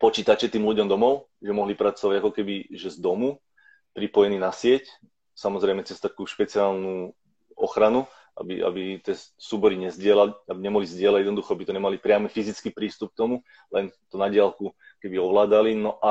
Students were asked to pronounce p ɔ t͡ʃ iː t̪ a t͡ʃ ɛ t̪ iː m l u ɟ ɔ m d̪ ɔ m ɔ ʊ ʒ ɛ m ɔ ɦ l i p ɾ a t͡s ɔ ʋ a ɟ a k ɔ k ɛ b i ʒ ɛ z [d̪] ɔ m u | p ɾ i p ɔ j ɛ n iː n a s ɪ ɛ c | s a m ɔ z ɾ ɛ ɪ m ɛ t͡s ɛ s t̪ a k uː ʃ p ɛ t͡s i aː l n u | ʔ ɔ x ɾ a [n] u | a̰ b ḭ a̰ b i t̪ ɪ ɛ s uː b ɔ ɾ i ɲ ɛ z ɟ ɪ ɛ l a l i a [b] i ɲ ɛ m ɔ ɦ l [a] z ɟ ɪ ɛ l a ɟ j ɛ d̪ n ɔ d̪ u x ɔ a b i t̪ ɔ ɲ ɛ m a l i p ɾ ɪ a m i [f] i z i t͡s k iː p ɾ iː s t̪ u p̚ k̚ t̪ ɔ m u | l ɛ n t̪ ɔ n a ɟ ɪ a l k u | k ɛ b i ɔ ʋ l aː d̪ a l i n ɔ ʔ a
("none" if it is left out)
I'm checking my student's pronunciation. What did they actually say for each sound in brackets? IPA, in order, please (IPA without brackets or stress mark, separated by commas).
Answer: d̪, n, b, i, f